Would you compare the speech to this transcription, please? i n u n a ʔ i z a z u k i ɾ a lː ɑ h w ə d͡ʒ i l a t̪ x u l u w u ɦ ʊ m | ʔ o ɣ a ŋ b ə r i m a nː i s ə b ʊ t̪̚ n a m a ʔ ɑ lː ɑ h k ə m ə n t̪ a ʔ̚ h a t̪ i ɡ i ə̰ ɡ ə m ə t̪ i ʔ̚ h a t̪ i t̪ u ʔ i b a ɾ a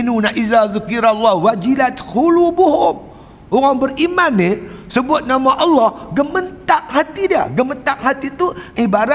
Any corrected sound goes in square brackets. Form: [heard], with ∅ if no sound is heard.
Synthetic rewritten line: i n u n a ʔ i z a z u k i ɾ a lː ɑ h w [a] d͡ʒ i l a t̪ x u l u [b] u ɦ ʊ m | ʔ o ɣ a ŋ b ə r i m a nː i s ə b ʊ t̪̚ n a m a ʔ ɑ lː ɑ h [ɡ] ə m ə n t̪ a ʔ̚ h a t̪ i [d] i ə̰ ɡ ə m ə t̪ [a] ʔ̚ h a t̪ i t̪ u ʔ i b a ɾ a